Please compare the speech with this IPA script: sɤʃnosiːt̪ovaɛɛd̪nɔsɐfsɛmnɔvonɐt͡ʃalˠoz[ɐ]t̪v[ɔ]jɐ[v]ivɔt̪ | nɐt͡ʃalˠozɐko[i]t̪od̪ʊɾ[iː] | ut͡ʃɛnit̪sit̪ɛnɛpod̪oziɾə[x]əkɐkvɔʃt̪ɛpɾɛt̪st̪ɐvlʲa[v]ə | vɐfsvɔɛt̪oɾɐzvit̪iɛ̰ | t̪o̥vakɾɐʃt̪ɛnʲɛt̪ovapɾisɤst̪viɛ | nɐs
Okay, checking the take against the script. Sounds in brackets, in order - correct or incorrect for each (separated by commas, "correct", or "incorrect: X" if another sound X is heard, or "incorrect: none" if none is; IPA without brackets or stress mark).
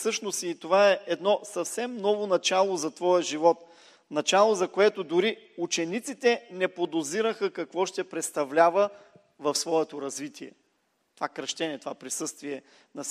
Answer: correct, correct, incorrect: ʒ, incorrect: ɛ, incorrect: i, correct, correct